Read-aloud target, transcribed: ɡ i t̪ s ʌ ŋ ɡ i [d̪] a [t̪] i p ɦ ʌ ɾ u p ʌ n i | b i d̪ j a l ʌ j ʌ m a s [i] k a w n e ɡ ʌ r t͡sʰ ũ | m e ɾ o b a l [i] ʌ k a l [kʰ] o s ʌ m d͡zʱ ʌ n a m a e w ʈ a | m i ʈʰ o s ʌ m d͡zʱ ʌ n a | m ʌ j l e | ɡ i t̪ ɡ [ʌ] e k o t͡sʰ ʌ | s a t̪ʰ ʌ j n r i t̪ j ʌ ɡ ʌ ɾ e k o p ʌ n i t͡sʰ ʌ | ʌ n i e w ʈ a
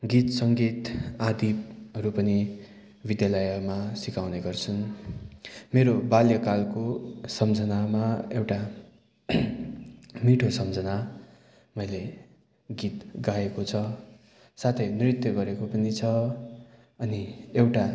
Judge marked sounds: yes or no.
no, no, yes, no, no, no

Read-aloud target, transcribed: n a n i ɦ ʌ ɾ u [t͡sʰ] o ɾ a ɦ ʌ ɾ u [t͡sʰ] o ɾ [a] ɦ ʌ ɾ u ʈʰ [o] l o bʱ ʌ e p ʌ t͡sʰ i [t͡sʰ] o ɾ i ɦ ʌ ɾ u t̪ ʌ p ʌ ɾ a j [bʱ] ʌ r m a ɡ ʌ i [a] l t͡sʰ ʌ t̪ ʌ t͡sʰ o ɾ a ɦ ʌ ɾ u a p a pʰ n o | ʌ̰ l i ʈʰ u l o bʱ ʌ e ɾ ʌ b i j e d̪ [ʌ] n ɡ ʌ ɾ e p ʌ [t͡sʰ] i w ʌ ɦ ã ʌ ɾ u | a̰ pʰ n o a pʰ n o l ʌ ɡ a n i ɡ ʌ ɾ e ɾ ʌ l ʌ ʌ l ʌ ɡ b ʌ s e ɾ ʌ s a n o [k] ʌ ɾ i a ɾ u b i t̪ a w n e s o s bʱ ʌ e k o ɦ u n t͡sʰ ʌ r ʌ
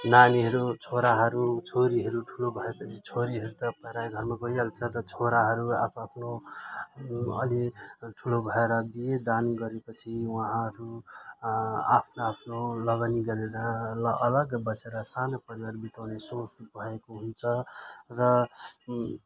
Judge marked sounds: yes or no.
yes, yes, no, no, yes, no, yes, no, yes, no

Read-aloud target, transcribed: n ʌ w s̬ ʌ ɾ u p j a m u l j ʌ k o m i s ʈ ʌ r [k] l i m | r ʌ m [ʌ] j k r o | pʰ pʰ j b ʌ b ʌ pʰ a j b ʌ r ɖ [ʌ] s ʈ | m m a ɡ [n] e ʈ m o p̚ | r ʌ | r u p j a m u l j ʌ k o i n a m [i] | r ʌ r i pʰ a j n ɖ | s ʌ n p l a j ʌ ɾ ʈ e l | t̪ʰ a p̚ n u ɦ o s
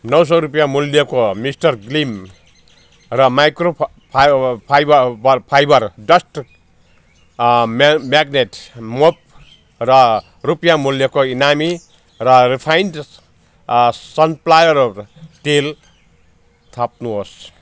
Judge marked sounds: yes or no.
no, no, yes, yes, yes

